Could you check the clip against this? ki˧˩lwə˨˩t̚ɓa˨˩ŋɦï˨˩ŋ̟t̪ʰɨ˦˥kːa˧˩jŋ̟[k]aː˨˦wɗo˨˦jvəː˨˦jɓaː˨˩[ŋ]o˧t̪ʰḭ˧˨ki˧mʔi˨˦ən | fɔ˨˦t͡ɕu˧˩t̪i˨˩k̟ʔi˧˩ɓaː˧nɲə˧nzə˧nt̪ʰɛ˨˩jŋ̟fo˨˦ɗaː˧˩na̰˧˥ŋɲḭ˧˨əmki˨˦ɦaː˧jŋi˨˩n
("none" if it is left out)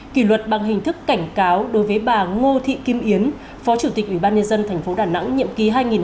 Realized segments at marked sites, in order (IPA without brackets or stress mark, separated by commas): k, ŋ